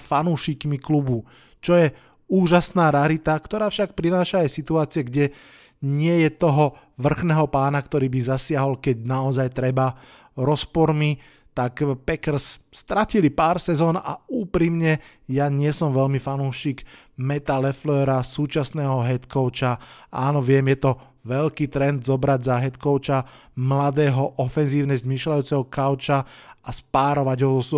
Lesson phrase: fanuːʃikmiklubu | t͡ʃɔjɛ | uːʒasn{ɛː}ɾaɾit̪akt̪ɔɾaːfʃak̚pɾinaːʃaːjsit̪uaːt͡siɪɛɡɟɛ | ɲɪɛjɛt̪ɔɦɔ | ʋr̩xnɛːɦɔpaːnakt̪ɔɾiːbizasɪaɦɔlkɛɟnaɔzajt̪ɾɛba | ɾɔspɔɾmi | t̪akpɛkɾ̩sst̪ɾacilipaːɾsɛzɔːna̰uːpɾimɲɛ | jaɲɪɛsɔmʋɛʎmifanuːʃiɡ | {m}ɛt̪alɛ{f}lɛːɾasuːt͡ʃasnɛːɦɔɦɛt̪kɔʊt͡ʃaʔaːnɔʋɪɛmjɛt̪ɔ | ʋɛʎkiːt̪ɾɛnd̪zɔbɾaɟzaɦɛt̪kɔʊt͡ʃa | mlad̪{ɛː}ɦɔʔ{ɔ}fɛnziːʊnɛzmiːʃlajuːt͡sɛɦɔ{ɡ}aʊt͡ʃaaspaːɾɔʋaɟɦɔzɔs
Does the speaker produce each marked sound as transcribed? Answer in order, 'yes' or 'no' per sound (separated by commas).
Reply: no, yes, yes, yes, yes, no